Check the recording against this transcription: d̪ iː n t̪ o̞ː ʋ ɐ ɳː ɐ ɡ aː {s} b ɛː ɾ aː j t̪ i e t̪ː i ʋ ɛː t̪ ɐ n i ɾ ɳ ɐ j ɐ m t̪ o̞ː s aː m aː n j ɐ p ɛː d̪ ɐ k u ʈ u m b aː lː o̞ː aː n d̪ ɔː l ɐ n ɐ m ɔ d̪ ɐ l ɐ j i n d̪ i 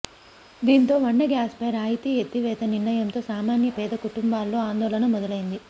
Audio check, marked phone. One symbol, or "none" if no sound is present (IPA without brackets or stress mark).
s